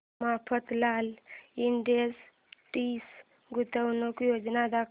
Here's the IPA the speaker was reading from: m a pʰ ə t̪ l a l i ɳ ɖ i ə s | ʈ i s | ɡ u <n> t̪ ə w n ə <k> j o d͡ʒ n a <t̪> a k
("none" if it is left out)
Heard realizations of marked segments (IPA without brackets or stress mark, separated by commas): none, k, d̪